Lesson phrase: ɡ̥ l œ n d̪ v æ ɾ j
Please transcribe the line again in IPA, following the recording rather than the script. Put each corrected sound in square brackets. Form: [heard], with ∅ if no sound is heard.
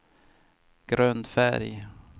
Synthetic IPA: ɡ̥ [ɾ] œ n d̪ [f] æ ɾ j